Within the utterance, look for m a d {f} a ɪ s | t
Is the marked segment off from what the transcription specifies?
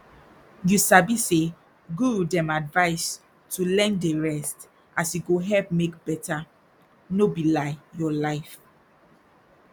yes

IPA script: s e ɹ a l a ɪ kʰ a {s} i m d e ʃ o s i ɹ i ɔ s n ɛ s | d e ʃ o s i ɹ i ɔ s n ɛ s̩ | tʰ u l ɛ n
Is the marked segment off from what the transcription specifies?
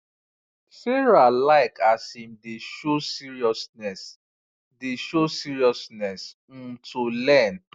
no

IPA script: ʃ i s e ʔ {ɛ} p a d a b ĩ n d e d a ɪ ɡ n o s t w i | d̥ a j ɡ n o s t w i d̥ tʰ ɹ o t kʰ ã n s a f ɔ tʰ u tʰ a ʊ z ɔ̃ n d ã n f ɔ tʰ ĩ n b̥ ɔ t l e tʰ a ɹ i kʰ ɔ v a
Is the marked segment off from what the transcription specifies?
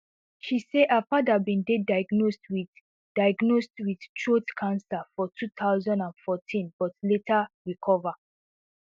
yes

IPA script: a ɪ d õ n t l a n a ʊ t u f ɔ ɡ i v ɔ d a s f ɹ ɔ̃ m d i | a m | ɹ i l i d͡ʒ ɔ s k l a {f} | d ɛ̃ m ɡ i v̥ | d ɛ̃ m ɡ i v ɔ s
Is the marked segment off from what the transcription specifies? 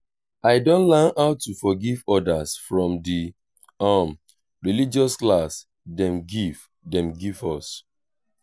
yes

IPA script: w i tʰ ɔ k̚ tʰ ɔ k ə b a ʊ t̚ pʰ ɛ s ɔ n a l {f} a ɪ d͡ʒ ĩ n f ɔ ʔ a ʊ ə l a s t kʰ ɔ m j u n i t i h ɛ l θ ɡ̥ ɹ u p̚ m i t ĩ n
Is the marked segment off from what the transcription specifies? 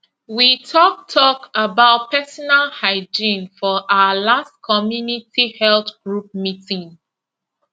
yes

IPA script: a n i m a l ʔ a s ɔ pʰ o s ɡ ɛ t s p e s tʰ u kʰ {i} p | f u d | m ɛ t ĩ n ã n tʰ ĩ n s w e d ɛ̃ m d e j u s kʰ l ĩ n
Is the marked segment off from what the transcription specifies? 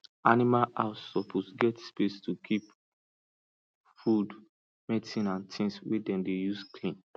no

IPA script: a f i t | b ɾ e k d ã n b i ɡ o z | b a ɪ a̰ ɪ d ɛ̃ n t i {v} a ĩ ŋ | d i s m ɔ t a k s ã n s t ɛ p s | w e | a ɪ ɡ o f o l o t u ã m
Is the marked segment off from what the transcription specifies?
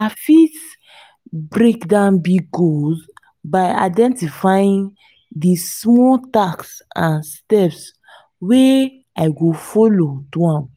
yes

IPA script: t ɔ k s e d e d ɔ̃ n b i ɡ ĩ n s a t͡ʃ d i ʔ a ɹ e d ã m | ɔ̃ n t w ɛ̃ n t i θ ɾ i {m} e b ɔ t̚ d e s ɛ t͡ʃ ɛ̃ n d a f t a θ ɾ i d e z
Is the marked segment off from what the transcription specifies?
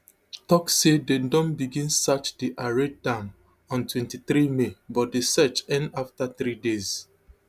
no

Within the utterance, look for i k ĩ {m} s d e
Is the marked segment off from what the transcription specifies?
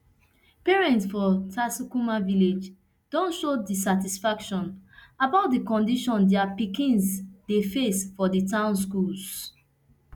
yes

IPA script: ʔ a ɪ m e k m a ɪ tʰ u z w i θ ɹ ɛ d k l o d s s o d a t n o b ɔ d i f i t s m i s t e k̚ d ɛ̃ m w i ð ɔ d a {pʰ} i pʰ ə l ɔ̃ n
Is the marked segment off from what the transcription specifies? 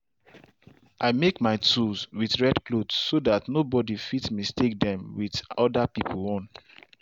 yes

